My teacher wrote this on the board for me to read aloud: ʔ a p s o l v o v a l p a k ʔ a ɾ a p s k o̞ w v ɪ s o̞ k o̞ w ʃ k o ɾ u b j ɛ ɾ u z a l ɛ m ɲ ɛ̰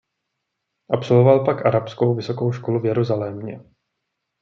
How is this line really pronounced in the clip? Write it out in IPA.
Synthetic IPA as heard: ʔ a p s o l v o v a l p a k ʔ a ɾ a p s k o̞ w v ɪ s o̞ k o̞ w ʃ k o l u v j ɛ ɾ u z a l ɛ m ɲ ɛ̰